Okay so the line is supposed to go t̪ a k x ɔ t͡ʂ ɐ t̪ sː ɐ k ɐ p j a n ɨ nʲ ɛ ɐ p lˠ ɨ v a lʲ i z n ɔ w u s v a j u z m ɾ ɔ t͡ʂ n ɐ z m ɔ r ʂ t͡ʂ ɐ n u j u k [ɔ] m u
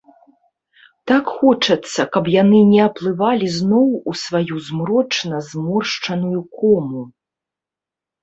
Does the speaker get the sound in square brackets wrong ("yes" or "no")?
no